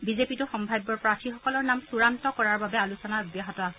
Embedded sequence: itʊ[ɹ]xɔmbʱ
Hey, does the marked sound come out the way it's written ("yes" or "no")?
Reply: no